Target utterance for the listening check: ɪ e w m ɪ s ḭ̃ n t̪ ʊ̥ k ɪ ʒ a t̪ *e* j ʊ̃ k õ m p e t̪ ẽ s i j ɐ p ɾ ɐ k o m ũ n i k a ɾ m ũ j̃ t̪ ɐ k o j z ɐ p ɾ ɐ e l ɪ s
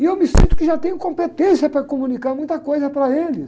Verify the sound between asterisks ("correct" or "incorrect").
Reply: incorrect